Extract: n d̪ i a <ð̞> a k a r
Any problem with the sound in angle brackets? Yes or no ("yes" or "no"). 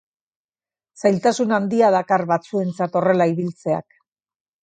no